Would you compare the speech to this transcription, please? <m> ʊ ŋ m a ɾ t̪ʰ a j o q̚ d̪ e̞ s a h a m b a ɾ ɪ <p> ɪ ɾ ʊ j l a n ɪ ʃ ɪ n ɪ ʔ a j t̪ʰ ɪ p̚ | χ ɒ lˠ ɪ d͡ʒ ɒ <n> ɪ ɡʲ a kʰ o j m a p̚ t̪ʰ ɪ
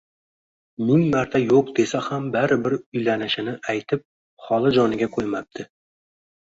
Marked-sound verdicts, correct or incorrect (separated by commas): correct, incorrect, correct